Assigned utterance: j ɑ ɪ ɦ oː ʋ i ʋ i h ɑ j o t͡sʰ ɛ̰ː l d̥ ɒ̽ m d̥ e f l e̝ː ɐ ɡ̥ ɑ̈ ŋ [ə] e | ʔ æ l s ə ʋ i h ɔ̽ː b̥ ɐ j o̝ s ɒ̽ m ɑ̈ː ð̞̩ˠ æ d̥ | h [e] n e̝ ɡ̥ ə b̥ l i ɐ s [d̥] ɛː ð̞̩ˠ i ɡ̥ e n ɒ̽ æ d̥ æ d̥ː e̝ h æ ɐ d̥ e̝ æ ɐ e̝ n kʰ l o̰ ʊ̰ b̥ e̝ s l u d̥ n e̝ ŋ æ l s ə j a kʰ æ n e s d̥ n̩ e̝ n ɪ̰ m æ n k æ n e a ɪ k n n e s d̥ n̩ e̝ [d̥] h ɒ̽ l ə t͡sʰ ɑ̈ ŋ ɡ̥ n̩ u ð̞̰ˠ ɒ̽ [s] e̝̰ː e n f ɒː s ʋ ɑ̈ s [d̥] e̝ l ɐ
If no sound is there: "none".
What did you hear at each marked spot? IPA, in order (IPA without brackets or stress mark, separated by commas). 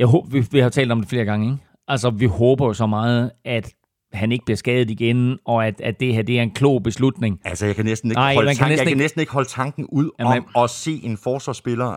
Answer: ə, æ, ɡ̥, ɡ̥, s, b̥